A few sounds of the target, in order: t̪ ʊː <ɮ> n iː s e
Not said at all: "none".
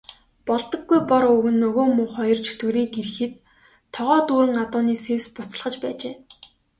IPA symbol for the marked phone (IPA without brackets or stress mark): none